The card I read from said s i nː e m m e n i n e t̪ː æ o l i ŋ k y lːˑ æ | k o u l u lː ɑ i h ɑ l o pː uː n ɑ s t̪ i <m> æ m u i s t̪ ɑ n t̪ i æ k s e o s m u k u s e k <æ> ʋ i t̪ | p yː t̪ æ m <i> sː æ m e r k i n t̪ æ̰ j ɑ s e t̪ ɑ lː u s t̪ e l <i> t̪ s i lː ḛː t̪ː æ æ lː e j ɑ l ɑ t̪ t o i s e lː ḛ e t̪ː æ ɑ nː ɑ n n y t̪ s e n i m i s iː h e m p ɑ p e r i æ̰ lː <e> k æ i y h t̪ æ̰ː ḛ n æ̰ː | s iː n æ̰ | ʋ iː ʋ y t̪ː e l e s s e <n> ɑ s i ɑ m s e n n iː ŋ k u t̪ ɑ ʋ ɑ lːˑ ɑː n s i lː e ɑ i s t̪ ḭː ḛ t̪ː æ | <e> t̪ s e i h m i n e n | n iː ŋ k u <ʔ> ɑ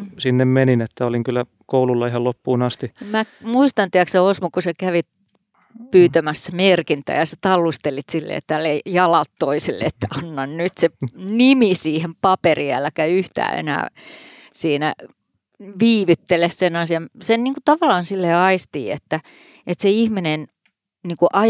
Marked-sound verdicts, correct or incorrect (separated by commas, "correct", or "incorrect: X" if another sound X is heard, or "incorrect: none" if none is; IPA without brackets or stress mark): correct, correct, incorrect: æ, correct, incorrect: æ, correct, correct, correct